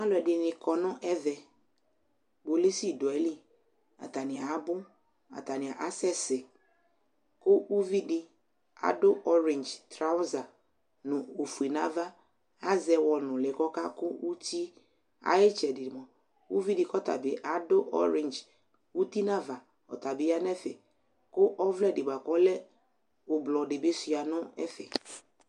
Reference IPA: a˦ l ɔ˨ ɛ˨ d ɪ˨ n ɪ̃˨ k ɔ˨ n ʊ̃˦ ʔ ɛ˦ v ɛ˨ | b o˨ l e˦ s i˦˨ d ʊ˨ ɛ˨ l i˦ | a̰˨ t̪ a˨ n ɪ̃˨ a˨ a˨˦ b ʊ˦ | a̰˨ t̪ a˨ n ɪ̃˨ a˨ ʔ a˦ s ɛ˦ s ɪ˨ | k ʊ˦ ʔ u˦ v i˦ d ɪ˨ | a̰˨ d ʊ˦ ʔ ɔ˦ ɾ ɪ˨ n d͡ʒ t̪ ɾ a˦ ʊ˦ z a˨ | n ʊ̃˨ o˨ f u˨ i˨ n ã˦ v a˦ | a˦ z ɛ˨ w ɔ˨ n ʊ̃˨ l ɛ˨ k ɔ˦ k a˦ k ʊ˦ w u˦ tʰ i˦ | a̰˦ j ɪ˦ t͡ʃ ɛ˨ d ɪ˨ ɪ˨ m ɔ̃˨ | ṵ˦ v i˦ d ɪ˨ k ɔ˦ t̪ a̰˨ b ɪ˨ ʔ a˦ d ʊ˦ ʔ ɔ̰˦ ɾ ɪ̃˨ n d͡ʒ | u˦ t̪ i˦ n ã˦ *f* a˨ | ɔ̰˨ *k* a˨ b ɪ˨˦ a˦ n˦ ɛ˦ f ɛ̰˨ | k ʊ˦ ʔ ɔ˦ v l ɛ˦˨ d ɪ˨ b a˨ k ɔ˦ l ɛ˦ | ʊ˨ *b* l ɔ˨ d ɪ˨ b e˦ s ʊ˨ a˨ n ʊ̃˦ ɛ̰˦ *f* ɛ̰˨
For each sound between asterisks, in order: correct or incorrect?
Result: incorrect, incorrect, correct, correct

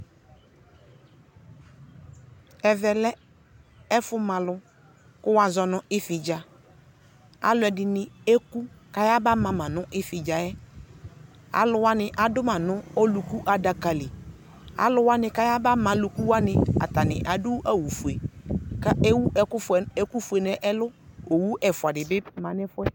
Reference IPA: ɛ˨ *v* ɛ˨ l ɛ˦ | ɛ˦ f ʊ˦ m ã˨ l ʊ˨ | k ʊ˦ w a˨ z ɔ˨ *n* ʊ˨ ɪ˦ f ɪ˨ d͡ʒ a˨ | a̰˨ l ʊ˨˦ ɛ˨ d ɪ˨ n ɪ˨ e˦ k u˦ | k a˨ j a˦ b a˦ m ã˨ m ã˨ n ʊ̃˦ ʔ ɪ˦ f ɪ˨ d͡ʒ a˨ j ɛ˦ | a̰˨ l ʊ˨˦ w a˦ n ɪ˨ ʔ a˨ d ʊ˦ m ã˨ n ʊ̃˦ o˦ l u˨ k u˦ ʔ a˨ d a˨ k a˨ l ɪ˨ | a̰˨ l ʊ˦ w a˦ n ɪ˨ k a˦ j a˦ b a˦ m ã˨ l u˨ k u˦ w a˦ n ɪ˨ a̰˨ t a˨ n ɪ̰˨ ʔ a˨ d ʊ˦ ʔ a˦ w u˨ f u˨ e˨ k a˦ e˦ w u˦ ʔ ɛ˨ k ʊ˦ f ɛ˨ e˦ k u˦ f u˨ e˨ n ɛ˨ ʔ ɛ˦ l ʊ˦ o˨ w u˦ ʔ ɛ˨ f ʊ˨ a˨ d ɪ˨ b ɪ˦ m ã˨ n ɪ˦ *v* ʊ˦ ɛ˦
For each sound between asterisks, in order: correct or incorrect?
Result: correct, correct, incorrect

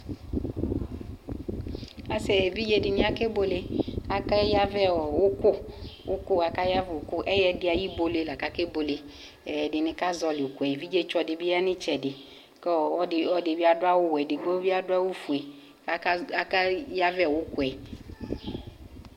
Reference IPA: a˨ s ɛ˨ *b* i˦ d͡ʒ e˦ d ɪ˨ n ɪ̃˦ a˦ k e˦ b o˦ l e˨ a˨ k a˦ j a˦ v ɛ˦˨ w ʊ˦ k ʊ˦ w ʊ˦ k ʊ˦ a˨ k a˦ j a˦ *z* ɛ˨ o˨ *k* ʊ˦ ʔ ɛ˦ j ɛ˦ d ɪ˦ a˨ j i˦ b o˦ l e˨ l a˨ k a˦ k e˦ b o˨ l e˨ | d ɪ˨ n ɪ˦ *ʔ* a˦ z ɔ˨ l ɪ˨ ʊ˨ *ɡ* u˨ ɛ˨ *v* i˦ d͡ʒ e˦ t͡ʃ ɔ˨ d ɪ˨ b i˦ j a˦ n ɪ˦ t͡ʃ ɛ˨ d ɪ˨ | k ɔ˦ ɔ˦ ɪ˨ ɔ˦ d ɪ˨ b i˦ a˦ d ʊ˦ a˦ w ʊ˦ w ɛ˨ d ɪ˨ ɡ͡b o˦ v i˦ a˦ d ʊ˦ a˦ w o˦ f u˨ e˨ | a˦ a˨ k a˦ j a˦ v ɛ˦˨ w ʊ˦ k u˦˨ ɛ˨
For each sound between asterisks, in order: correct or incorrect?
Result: incorrect, incorrect, correct, incorrect, incorrect, correct

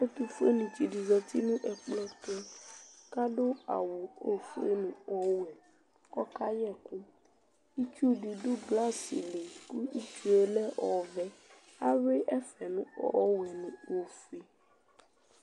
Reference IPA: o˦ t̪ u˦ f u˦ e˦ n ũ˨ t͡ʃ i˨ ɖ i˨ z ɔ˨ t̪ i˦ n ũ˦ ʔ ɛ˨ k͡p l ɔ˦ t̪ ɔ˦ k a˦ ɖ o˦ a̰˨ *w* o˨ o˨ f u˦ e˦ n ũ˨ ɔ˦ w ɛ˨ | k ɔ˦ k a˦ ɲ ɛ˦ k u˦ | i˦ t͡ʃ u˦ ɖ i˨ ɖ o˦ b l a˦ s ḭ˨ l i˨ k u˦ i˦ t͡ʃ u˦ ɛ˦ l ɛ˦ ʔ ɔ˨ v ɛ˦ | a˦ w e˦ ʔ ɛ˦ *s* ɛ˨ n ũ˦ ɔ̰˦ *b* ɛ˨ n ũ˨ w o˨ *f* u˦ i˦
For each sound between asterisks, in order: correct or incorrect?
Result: correct, incorrect, incorrect, correct

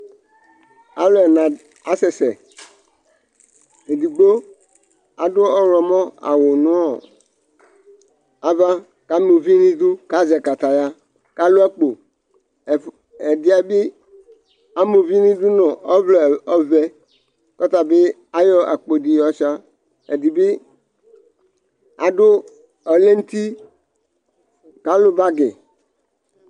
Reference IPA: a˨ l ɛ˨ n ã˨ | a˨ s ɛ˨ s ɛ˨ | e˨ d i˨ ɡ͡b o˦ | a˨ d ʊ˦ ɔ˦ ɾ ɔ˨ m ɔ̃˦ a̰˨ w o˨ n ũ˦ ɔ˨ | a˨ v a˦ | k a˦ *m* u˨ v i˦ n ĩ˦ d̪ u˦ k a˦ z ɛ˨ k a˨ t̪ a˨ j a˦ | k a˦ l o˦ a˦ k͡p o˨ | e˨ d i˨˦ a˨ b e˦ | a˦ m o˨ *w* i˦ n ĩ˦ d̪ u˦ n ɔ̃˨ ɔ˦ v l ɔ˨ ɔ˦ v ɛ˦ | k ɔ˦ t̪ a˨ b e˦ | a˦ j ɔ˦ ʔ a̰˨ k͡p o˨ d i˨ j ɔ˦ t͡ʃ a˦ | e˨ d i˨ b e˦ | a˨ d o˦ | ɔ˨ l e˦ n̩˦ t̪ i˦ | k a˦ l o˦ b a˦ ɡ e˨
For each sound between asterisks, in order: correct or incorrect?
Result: correct, incorrect

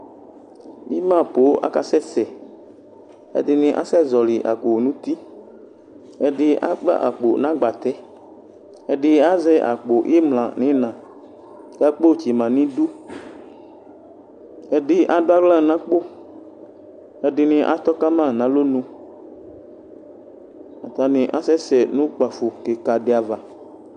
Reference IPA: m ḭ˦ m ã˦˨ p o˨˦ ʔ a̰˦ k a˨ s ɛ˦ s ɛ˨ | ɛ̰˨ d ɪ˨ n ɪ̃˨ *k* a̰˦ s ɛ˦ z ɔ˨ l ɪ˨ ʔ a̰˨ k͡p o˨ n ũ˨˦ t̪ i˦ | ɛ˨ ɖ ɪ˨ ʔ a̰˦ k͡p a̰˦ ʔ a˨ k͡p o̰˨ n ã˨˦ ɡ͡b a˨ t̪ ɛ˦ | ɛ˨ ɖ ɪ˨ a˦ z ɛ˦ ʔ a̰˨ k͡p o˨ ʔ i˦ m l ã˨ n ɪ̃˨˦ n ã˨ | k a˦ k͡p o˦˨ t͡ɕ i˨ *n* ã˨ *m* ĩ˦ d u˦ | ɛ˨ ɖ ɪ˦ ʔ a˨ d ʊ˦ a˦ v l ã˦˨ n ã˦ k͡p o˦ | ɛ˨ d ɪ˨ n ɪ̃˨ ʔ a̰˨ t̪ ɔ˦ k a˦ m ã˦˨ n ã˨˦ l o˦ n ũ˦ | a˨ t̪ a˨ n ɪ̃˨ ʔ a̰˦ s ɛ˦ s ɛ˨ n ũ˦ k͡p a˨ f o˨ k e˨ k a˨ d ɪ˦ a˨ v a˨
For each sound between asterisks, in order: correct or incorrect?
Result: incorrect, incorrect, incorrect

